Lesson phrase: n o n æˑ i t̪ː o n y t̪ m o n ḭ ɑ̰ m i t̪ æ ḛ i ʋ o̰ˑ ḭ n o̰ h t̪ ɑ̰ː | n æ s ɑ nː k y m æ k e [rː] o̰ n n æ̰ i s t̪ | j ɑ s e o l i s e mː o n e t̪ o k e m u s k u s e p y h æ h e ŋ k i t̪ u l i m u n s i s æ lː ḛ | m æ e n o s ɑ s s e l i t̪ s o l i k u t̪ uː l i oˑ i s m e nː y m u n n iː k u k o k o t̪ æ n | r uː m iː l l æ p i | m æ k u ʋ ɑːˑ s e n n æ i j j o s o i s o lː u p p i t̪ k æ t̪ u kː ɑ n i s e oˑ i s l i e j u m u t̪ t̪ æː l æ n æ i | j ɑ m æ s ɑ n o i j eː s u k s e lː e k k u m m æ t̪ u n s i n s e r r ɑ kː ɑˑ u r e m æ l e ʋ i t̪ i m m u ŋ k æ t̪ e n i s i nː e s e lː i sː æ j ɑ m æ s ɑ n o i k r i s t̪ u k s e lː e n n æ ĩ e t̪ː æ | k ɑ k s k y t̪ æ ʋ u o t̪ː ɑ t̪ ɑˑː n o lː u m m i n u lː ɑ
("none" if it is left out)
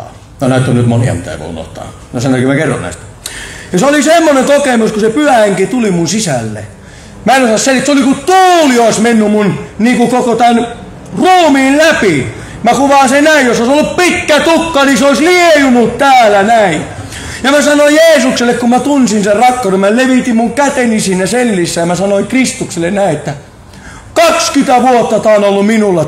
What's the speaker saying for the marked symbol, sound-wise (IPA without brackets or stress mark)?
rː